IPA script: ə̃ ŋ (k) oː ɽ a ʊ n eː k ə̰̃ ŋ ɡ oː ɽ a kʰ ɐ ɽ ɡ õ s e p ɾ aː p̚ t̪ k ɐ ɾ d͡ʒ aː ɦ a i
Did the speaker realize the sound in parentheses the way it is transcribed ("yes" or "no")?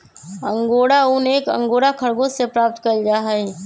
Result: no